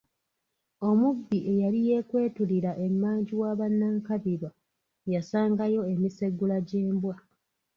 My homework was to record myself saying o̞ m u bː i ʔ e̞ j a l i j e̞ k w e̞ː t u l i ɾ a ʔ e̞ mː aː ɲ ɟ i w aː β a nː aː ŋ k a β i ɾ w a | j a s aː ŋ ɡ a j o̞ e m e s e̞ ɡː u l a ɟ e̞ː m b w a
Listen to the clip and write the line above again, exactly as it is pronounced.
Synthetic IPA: o̞ m u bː i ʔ e̞ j a l i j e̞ k w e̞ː t u l i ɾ a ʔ e̞ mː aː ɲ ɟ i w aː β a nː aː ŋ k a β i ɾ w a | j a s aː ŋ ɡ a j o̞ e m i s e̞ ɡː u l a ɟ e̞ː m b w a